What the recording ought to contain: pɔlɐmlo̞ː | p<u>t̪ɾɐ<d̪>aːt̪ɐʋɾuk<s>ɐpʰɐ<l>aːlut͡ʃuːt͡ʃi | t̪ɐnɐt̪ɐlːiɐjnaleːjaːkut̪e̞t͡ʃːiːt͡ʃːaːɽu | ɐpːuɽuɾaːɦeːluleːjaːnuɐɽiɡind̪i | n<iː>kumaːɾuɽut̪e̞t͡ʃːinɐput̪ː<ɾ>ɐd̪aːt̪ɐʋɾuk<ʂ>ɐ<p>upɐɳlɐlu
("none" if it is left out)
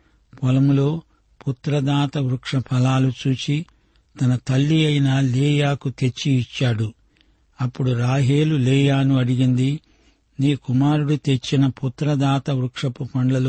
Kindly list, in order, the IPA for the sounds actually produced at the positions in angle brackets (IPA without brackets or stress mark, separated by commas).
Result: u, d̪, ʂ, l, iː, ɾ, ʂ, p